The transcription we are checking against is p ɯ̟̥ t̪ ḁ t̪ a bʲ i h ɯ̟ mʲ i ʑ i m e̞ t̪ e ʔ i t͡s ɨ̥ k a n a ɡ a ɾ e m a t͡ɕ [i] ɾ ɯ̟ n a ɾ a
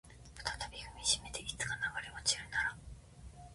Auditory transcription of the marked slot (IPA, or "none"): i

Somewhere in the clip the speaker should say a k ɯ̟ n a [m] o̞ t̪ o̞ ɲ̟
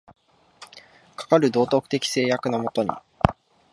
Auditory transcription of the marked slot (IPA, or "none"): m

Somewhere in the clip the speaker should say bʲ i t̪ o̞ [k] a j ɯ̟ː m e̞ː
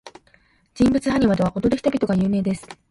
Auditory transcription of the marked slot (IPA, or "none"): ɡ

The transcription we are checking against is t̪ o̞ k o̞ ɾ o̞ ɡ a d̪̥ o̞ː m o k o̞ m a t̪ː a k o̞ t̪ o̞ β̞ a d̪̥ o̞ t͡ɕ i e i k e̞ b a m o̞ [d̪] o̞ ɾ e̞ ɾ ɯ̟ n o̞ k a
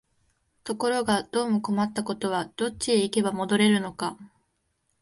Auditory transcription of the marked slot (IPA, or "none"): d̪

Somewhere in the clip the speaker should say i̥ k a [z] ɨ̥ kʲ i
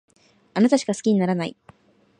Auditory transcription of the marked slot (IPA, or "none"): s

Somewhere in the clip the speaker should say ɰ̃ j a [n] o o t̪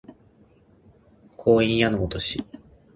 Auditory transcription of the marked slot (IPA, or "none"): n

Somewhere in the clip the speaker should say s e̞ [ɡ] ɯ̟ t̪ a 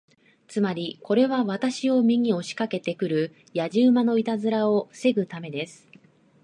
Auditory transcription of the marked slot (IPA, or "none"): ɡ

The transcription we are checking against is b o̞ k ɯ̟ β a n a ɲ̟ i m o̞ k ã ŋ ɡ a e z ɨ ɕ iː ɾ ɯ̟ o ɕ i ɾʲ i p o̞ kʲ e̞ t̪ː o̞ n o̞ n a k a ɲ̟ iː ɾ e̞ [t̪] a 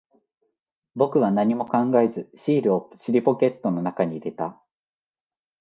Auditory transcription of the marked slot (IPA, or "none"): t̪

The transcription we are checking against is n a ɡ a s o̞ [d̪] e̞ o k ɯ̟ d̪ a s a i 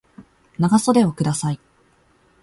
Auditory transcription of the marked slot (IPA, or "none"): d̪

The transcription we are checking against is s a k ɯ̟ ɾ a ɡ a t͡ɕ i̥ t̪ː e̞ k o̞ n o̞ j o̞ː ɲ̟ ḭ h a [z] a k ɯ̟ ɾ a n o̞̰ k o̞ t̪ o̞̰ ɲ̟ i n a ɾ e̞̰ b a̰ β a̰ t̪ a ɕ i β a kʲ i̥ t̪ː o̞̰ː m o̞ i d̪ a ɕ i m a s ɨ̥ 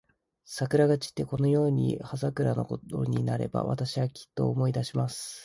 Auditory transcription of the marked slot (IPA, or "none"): z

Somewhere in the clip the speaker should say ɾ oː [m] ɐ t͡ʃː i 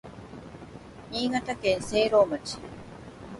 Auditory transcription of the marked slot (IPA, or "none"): m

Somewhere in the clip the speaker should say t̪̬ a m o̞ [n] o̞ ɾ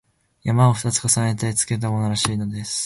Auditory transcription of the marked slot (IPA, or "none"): n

